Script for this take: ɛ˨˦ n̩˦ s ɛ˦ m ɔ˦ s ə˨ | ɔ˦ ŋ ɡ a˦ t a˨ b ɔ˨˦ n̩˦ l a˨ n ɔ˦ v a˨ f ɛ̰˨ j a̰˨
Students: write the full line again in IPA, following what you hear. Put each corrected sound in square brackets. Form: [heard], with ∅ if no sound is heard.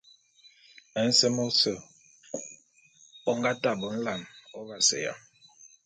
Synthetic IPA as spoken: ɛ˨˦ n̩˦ s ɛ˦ m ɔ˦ s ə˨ | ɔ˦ ŋ ɡ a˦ t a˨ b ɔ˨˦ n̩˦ l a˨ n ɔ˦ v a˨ [s] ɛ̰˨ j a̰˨